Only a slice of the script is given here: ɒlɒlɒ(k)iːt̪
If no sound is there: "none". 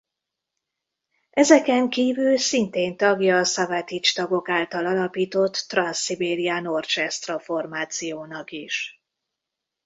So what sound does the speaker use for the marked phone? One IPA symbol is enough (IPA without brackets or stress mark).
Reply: p